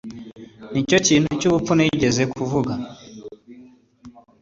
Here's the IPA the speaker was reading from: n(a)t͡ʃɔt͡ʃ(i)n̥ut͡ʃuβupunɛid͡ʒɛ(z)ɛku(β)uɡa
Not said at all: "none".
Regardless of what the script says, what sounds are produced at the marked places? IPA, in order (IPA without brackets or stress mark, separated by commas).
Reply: i, i, z, v